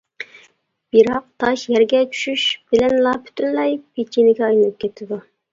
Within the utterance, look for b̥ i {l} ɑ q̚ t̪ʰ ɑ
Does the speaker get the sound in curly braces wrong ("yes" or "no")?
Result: yes